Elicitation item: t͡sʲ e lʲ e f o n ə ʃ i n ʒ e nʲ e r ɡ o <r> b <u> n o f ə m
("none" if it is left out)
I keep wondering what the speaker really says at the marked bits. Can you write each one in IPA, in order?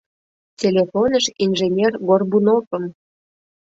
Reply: r, u

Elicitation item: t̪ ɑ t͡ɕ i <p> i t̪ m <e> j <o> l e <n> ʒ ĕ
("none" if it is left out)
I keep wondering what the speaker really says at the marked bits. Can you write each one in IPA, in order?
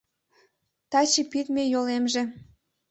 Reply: p, e, o, m

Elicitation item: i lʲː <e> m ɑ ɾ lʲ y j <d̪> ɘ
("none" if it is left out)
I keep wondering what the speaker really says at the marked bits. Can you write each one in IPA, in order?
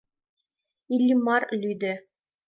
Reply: i, d̪

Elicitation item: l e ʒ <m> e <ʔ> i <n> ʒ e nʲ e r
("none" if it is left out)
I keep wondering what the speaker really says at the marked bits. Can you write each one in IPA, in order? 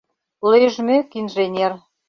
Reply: m, k, n

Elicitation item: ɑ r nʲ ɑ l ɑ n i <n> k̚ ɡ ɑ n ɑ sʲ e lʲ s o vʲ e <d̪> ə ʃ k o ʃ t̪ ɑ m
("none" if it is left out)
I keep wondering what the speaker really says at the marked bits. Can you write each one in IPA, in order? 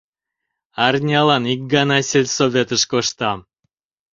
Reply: none, t̪

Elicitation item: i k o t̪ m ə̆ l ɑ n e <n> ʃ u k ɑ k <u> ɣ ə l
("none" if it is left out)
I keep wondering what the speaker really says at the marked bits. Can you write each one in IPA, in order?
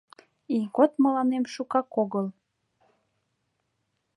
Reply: m, o

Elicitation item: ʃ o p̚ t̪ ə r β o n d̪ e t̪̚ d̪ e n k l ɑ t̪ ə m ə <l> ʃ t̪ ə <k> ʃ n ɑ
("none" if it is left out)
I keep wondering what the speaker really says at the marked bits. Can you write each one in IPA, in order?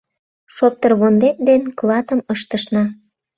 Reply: none, none

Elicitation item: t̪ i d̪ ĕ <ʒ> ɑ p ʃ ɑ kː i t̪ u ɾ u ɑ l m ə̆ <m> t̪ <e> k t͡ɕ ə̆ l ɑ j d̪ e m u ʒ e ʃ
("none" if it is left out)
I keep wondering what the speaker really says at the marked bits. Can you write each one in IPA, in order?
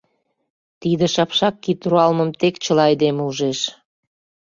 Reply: ʃ, m, e

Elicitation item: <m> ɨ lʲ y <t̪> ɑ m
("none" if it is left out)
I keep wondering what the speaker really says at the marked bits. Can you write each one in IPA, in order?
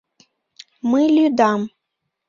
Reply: m, d̪

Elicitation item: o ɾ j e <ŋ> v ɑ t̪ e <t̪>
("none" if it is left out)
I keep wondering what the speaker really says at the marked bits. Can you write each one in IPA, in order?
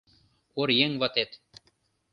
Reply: ŋ, t̪

